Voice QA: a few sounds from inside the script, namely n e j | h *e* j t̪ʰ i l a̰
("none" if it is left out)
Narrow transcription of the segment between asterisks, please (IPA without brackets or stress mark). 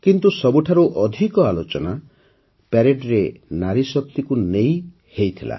e